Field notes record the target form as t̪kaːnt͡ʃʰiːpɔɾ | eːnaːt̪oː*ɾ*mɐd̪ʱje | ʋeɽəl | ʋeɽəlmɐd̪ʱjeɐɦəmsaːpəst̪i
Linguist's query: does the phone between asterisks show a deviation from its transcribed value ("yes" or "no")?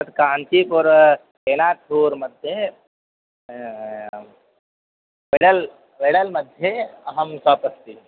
no